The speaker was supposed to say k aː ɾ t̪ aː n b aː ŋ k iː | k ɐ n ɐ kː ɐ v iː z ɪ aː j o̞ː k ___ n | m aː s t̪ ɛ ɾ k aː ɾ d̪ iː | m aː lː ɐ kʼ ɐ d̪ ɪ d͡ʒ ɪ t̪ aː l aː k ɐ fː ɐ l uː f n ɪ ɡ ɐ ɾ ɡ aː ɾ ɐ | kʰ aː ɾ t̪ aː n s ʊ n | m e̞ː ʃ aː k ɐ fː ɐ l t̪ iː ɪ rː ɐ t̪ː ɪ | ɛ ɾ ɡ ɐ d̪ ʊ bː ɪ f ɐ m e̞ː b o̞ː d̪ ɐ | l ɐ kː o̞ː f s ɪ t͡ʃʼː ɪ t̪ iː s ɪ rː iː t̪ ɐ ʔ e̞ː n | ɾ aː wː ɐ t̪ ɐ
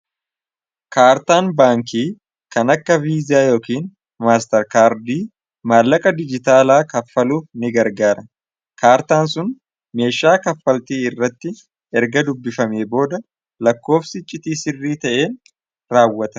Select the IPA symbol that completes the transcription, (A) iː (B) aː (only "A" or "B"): A